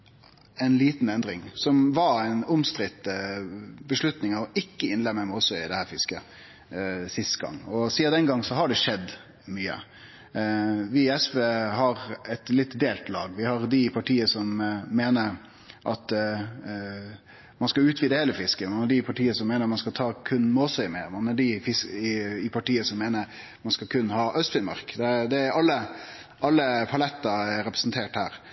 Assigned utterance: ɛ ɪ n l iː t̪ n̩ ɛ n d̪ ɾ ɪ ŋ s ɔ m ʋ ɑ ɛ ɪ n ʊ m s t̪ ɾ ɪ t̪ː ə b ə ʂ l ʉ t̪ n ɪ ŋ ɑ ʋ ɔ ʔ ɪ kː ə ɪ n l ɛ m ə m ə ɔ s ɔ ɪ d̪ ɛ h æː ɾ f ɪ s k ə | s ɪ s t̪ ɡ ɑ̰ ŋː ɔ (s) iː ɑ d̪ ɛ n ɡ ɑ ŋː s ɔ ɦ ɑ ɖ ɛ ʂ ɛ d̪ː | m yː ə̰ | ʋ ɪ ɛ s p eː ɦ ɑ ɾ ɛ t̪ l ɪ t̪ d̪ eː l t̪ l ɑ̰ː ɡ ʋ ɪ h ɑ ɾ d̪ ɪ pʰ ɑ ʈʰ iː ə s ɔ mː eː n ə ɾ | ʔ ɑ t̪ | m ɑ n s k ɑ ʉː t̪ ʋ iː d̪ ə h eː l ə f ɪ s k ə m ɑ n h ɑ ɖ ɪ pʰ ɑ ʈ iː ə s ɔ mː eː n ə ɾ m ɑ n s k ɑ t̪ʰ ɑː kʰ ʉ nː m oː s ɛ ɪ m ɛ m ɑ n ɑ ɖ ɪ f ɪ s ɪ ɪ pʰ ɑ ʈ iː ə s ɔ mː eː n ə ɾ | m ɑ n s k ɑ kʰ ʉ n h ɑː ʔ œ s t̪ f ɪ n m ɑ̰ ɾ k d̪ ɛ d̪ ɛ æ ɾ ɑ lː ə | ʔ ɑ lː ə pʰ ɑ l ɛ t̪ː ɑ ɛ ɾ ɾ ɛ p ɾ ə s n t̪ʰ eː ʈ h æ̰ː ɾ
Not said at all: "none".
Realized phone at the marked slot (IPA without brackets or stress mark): s